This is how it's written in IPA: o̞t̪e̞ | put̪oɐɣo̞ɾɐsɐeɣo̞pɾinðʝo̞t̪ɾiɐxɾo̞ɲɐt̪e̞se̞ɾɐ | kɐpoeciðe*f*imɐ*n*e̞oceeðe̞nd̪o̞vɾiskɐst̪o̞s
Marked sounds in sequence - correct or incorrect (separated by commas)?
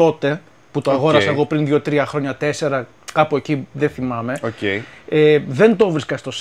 incorrect, incorrect